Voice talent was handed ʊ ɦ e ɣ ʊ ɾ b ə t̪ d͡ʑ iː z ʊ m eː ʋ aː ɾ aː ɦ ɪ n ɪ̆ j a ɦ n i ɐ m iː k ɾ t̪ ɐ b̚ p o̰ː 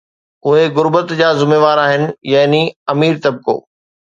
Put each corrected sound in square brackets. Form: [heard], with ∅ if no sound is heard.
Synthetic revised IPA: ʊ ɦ e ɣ ʊ ɾ b ə t̪ d͡ʑ [aː] z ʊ m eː ʋ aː ɾ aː ɦ ɪ n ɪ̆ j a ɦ n i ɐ m iː [∅] ɾ t̪ ɐ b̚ [k] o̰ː